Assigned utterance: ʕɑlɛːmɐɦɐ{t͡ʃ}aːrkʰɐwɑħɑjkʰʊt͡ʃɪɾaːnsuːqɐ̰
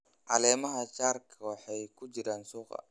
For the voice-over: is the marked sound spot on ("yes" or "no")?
yes